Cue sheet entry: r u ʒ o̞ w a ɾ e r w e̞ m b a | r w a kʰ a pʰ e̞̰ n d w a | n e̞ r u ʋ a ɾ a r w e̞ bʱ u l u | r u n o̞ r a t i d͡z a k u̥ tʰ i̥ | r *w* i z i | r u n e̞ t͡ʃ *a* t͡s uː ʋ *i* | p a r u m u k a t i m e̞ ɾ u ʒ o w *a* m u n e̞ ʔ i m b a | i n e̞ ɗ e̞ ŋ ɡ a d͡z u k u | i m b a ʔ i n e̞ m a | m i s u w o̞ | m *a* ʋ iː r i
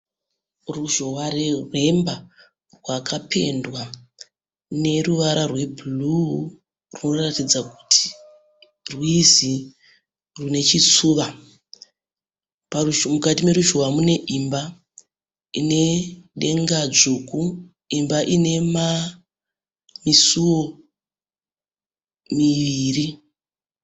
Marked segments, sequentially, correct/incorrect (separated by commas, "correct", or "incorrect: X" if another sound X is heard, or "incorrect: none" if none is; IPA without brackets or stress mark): correct, incorrect: i, incorrect: a, correct, incorrect: i